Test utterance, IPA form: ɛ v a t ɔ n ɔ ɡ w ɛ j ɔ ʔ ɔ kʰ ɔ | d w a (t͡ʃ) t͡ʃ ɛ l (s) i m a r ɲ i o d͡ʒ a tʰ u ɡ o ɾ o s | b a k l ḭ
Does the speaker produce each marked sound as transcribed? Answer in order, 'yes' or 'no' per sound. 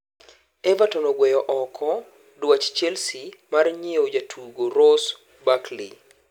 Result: yes, yes

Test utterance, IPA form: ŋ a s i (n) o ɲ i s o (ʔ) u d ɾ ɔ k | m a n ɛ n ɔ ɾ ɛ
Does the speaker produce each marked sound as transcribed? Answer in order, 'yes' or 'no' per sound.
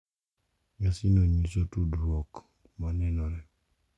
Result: yes, no

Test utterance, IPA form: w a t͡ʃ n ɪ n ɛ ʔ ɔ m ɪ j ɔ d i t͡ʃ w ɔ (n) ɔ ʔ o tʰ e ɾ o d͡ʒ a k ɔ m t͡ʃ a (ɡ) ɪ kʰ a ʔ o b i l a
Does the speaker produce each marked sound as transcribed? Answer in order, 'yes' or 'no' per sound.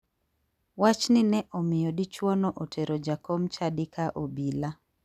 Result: yes, no

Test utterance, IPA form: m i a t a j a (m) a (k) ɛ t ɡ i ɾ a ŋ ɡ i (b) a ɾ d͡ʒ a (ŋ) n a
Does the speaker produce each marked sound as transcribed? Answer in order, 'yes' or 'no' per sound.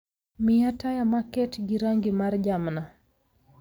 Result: yes, yes, no, no

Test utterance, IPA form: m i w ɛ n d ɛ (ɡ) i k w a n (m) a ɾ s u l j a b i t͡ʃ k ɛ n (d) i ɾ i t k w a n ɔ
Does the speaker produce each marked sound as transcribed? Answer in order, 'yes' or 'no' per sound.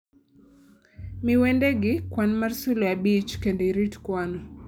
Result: yes, yes, yes

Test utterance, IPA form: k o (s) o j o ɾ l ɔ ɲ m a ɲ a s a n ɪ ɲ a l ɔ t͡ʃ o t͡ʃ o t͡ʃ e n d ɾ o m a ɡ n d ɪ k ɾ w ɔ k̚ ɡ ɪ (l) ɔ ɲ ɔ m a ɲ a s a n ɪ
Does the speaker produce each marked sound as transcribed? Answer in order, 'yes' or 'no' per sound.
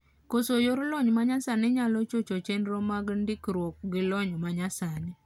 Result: yes, yes

